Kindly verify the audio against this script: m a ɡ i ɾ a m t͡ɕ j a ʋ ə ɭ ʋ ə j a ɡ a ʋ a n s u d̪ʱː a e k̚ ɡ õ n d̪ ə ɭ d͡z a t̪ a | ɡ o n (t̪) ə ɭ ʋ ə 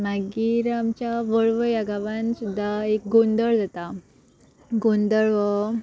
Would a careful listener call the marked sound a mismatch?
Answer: yes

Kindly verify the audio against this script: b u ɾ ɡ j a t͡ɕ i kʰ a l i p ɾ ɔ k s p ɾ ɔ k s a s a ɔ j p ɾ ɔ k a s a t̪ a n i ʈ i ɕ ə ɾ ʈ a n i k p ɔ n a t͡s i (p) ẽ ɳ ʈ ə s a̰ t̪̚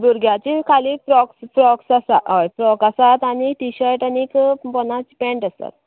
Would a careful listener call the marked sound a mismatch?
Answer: no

